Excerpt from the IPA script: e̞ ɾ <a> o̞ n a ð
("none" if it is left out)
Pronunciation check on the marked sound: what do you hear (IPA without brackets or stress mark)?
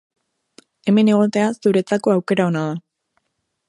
a